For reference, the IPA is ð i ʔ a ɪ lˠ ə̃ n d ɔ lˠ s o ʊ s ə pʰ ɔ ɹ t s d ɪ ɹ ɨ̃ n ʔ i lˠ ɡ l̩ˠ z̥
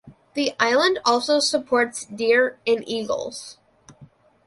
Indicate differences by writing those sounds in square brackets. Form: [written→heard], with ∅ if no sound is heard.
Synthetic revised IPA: ð i ʔ a ɪ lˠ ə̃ n d ɔ lˠ s o ʊ s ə pʰ ɔ ɹ t s d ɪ ɹ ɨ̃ n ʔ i [lˠ→∅] ɡ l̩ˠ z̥